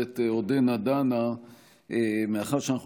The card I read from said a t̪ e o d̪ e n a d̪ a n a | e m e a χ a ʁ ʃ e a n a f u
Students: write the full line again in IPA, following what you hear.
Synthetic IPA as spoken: e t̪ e o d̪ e n a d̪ a n a | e m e a χ a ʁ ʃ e a n a χ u